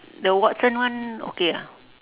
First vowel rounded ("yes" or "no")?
no